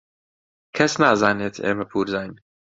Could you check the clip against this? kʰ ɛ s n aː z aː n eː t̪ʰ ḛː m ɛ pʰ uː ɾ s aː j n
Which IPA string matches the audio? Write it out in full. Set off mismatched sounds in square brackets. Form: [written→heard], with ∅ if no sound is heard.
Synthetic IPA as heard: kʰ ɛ s n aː z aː n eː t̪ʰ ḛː m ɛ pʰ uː ɾ [s→z] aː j n